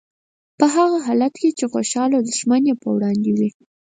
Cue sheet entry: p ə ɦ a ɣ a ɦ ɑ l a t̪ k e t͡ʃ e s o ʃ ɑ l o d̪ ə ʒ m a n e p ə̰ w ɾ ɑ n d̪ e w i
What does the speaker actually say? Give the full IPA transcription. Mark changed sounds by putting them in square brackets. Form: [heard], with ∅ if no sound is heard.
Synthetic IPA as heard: p ə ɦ a ɣ a ɦ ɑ l a t̪ k e t͡ʃ e [x] o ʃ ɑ l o d̪ ə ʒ m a n e p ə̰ w [ɽ] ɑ n d̪ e w i

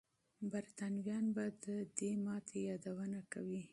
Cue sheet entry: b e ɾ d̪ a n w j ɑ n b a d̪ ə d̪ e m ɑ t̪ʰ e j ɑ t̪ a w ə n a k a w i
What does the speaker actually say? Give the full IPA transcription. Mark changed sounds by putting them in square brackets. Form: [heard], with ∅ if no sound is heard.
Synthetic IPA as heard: b [a] ɾ [t̪] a n w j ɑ n b a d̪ ə d̪ e m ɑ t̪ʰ e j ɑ [d̪] a w ə n a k a w i

